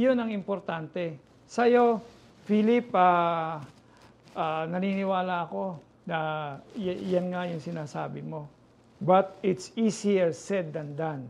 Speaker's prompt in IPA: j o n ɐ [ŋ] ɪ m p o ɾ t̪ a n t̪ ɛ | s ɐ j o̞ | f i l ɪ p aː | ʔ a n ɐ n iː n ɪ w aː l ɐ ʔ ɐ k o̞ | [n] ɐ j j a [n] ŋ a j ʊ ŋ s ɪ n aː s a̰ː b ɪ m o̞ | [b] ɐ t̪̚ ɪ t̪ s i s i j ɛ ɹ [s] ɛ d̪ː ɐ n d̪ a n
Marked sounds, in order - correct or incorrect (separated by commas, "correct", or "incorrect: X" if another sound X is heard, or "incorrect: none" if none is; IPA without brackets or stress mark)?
correct, correct, correct, correct, correct